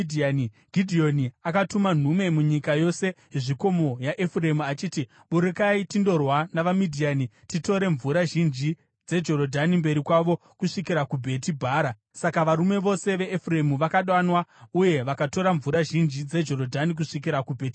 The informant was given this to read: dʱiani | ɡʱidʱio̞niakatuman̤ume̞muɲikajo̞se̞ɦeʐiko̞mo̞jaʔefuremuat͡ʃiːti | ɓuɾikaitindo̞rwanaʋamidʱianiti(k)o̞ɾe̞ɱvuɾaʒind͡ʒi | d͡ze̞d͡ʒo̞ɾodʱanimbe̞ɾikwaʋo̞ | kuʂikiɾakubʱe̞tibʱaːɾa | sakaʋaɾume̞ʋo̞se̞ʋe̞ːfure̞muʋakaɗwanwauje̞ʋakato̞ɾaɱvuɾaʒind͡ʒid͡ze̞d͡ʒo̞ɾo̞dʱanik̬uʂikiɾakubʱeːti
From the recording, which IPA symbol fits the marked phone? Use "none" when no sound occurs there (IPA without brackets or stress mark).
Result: t